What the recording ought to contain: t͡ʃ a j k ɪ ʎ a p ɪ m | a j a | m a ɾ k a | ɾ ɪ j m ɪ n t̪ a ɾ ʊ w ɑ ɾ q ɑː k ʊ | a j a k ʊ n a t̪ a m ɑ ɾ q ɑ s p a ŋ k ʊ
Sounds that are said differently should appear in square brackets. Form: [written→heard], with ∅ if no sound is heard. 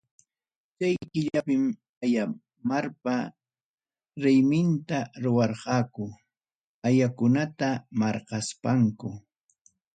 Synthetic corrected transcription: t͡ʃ a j k ɪ ʎ a p ɪ m | a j a | m a ɾ [k→p] a | ɾ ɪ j m ɪ n t̪ a ɾ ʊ w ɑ ɾ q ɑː k ʊ | a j a k ʊ n a t̪ a m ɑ ɾ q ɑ s p a ŋ k ʊ

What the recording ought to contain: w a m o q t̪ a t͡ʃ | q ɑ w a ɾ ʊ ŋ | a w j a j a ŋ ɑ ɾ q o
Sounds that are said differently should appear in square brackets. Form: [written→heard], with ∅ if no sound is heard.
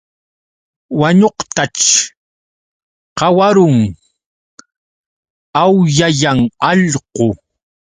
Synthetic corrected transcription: w a [m→ɲ] o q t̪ a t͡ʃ | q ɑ w a ɾ ʊ ŋ | a w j a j a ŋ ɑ [ɾ→ʎ] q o

